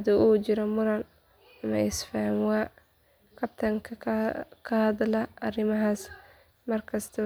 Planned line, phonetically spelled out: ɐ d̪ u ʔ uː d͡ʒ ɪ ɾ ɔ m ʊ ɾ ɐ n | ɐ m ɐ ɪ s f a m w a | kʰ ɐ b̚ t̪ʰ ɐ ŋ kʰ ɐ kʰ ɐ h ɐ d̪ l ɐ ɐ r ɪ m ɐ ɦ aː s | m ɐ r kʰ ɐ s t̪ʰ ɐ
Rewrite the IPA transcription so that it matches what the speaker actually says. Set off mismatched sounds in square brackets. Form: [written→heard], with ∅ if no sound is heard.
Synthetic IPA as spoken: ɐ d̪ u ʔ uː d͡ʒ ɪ ɾ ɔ m ʊ ɾ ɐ n | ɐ m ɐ ɪ s f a m w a | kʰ ɐ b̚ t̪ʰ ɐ ŋ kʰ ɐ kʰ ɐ h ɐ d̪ l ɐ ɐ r ɪ m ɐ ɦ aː s | m ɐ r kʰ ɐ s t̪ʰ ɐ